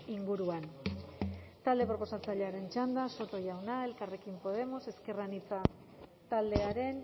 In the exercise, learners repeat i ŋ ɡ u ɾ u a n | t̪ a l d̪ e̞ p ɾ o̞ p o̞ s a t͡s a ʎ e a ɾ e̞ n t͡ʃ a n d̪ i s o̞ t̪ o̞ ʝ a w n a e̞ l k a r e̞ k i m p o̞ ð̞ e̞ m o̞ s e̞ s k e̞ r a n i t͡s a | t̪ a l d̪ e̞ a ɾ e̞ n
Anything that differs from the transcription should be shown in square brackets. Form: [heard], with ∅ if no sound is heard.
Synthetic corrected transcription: i ŋ ɡ u ɾ u a n | t̪ a l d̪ e̞ p ɾ o̞ p o̞ s a t͡s a ʎ e a ɾ e̞ n t͡ʃ a n d̪ [a] s o̞ t̪ o̞ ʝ a w n a e̞ l k a r e̞ k i m p o̞ ð̞ e̞ m o̞ s e̞ s k e̞ r a n i t͡s a | t̪ a l d̪ e̞ a ɾ e̞ n